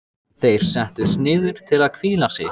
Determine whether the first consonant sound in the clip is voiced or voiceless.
voiceless